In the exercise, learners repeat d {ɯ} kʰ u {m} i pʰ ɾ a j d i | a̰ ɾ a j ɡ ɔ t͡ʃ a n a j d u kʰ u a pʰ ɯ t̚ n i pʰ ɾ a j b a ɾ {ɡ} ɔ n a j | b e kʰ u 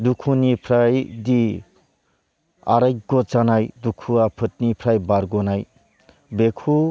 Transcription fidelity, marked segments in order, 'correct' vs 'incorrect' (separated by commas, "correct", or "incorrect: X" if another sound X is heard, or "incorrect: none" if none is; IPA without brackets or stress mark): incorrect: u, incorrect: n, correct